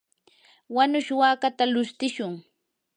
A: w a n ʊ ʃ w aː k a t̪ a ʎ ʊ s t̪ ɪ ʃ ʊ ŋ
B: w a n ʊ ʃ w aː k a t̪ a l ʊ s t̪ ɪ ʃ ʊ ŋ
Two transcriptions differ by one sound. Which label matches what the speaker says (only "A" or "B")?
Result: B